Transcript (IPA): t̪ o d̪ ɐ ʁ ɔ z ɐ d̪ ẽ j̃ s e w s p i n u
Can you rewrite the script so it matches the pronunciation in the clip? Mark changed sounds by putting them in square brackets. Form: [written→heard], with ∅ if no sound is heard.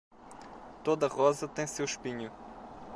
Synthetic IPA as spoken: t̪ o d̪ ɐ ʁ ɔ z ɐ [d̪→t̪] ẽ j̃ s e w [s→ʃ] p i [n→ɲ] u